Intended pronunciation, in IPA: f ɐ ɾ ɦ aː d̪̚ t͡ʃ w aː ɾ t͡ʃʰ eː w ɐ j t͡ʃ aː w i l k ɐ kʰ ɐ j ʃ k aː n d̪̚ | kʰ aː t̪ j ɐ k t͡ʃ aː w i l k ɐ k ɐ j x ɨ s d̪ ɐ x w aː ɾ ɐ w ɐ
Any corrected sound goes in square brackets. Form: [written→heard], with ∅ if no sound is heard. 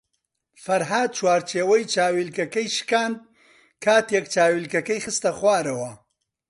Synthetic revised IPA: f ɐ ɾ ɦ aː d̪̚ t͡ʃ w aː ɾ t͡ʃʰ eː w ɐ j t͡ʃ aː w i l k ɐ [kʰ→k] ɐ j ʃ k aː n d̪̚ | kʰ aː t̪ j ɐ k t͡ʃ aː w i l k ɐ k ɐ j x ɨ s [d̪→t̪] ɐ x w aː ɾ ɐ w ɐ